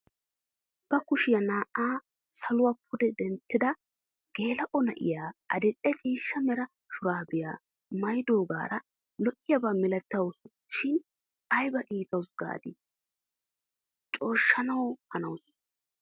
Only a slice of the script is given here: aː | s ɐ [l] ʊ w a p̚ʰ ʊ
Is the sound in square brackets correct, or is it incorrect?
correct